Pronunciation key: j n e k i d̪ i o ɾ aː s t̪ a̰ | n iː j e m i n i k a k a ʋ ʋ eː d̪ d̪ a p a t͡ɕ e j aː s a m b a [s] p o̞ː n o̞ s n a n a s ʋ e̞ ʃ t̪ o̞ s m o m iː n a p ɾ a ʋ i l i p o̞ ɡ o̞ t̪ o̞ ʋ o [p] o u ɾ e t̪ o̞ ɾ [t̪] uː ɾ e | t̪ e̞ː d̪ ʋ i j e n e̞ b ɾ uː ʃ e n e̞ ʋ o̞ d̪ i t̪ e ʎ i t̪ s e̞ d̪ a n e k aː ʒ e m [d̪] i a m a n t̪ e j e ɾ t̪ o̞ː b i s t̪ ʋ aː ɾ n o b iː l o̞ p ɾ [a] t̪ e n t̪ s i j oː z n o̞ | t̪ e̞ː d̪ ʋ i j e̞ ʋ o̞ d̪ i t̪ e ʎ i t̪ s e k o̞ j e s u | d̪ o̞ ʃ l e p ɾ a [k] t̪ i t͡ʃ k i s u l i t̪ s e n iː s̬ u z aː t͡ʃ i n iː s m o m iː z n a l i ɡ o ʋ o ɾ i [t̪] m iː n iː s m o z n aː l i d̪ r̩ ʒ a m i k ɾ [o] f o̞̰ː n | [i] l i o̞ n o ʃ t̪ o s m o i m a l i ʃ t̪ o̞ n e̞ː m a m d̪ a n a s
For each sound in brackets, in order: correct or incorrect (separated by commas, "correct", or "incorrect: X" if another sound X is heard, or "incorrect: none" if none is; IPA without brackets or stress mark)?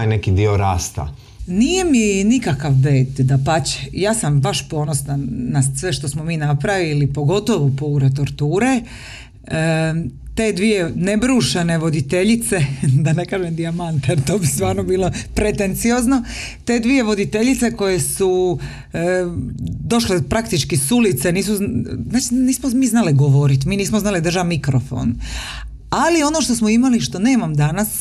incorrect: ʃ, correct, correct, correct, incorrect: e, correct, correct, correct, incorrect: a